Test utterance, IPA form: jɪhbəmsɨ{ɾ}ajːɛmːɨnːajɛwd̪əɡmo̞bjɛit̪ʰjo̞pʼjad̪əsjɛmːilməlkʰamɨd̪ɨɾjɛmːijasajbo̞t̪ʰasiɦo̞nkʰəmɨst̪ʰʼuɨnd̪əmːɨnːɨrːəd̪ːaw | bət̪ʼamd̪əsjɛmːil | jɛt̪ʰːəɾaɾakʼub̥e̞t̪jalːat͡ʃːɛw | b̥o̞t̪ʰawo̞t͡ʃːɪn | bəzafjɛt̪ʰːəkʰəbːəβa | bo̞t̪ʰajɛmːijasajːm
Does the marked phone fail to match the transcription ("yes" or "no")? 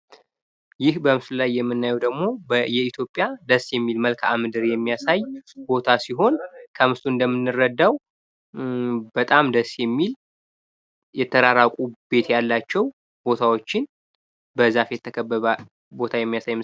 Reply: yes